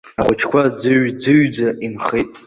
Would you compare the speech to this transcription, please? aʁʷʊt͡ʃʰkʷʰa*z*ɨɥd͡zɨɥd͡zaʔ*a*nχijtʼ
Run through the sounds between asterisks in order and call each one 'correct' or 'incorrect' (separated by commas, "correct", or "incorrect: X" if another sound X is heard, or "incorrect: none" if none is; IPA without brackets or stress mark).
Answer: incorrect: d͡z, incorrect: i